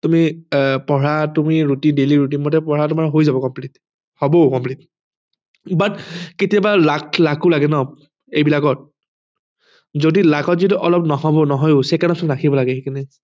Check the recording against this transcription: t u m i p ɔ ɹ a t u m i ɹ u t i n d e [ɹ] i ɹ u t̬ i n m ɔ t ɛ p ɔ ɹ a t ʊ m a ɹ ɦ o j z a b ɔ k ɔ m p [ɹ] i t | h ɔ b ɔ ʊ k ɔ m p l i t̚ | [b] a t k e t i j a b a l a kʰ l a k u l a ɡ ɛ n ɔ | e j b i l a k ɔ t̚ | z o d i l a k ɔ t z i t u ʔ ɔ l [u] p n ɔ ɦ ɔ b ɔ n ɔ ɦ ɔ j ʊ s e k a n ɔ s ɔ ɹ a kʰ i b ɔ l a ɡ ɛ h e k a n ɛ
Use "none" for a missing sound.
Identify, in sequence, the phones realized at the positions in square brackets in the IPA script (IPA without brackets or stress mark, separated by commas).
l, l, b, ɔ